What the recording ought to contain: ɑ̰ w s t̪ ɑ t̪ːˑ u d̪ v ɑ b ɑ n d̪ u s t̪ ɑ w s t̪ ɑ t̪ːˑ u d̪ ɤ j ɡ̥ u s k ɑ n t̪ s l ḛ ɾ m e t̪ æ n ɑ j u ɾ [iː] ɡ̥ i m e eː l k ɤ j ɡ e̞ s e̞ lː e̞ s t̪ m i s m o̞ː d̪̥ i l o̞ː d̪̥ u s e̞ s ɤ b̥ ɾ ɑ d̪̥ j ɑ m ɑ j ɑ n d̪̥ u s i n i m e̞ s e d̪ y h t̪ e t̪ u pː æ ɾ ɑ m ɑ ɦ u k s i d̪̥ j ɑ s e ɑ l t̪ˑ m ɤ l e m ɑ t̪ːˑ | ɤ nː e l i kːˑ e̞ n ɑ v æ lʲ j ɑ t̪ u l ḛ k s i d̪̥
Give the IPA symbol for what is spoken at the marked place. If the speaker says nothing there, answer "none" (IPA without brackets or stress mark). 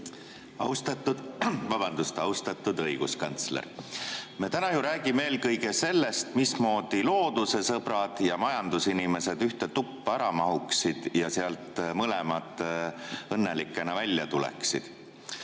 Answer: æː